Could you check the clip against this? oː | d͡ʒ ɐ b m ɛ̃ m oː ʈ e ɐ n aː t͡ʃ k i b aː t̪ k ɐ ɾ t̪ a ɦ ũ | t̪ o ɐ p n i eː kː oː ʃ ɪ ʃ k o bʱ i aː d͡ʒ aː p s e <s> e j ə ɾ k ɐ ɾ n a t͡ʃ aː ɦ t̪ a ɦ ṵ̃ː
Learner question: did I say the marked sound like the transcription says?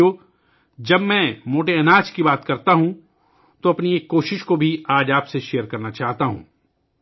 no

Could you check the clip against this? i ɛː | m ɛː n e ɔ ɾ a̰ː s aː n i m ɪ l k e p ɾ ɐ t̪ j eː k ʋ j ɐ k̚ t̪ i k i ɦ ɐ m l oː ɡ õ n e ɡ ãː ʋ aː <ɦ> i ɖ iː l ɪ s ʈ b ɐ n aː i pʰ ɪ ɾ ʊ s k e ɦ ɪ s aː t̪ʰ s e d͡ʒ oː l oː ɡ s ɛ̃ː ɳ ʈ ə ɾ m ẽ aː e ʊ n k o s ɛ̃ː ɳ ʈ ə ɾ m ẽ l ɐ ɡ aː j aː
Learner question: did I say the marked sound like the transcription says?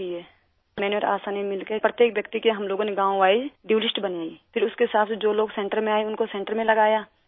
no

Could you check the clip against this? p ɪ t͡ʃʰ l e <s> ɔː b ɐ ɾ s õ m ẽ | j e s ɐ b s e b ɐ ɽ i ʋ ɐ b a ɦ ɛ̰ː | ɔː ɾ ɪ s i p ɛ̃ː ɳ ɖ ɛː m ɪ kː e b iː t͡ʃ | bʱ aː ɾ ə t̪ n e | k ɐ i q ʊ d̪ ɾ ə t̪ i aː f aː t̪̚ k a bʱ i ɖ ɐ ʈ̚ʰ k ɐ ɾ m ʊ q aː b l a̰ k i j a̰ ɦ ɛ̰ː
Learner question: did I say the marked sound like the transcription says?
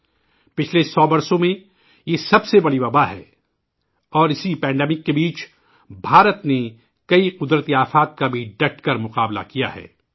yes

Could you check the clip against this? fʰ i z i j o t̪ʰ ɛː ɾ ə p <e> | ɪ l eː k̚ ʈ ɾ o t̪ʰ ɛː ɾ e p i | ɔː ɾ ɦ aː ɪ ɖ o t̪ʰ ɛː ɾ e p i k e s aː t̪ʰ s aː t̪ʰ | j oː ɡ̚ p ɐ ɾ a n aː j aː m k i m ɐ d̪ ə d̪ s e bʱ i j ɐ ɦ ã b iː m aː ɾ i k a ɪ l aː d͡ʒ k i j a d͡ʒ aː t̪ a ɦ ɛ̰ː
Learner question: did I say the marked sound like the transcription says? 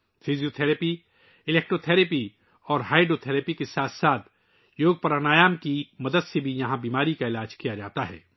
no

